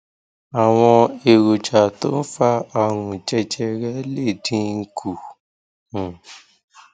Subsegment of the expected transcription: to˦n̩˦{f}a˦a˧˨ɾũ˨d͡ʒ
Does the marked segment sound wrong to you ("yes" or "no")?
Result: no